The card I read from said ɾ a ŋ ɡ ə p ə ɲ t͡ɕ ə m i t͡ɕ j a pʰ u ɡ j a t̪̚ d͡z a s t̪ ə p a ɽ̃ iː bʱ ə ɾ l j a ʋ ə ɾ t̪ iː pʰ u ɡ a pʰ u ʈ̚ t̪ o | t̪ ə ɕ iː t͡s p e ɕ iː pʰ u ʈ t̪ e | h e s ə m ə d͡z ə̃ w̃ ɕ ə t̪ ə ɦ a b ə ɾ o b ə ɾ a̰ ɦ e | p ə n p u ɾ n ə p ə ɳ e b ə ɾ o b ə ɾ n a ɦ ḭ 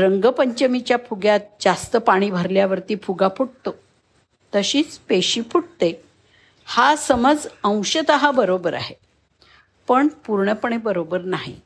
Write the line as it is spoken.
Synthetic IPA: ɾ ə ŋ ɡ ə p ə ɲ t͡ɕ ə m i t͡ɕ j a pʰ u ɡ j a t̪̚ d͡z a s t̪ ə p a ɽ̃ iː bʱ ə ɾ l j a ʋ ə ɾ t̪ iː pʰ u ɡ a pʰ u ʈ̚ t̪ o | t̪ ə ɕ iː t͡s p e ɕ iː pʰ u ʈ t̪ e | h a s ə m ə d͡z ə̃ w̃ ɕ ə t̪ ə ɦ a b ə ɾ o b ə ɾ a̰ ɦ e | p ə ɳ p u ɾ ɳ ə p ə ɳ e b ə ɾ o b ə ɾ n a ɦ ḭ